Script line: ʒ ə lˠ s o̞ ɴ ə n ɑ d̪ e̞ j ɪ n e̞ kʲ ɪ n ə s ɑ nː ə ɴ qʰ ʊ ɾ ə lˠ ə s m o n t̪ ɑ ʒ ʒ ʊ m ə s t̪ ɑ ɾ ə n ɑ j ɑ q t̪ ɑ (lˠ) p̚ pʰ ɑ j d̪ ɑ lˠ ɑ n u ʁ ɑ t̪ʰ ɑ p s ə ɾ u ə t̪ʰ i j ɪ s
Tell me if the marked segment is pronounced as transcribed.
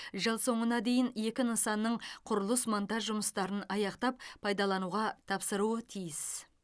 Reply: no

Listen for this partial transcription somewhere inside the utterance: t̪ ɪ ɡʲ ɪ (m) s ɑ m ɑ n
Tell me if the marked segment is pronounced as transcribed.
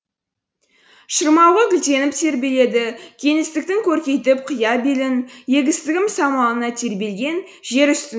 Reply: yes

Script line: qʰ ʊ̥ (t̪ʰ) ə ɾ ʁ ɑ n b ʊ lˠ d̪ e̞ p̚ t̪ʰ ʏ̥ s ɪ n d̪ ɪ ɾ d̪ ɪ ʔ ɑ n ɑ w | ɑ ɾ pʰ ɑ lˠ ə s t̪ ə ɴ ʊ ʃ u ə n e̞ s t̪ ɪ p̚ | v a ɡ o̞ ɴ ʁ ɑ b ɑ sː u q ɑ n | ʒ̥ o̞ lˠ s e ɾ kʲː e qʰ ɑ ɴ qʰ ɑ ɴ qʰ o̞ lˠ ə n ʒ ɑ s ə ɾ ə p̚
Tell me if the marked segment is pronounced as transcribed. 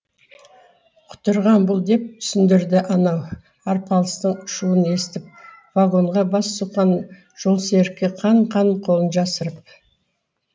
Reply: no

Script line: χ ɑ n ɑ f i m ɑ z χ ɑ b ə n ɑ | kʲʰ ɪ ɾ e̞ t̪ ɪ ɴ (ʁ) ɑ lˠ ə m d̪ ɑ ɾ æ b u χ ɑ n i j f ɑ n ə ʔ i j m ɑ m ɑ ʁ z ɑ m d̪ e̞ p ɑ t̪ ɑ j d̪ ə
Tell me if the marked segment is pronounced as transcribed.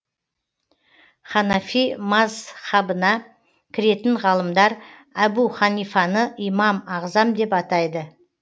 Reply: yes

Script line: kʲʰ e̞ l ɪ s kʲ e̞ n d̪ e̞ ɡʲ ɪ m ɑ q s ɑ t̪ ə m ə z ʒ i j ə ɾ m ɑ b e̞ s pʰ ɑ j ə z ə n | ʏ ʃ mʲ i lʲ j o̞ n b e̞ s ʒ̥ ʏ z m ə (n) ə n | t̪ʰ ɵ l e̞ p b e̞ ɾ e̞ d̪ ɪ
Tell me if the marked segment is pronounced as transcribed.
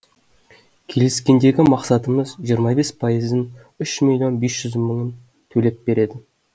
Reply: no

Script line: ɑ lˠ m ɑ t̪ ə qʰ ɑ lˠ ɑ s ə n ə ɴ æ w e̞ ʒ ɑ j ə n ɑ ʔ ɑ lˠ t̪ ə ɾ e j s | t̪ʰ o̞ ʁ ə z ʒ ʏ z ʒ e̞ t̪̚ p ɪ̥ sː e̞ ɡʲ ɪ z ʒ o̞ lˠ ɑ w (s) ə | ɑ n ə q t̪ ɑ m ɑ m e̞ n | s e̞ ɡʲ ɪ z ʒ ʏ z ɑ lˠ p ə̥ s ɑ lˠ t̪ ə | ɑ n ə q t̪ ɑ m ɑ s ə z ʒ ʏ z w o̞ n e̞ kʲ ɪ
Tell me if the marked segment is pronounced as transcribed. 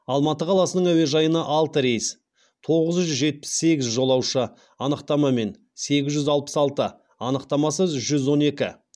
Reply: no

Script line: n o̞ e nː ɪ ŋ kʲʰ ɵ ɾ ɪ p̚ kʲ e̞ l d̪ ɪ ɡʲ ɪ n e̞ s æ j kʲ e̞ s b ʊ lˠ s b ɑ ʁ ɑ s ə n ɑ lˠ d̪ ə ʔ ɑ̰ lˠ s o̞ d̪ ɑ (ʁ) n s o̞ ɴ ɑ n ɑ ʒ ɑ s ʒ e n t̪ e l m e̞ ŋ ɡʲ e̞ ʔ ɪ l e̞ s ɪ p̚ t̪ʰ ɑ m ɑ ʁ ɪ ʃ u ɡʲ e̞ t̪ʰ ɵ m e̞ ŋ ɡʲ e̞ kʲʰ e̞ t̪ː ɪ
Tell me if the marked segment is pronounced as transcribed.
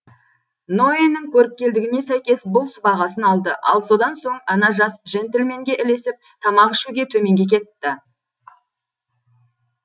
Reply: no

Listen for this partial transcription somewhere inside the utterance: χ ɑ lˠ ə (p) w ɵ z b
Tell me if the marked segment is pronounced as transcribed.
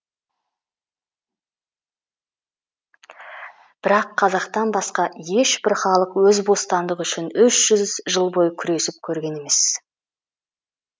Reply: no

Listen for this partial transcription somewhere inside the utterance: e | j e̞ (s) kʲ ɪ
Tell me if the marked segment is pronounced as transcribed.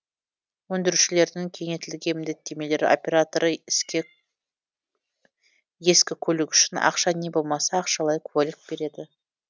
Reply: yes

